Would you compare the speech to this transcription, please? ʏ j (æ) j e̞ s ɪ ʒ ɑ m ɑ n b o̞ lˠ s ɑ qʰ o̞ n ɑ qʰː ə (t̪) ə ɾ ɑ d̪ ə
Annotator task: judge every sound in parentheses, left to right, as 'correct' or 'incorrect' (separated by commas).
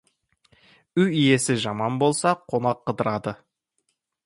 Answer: incorrect, incorrect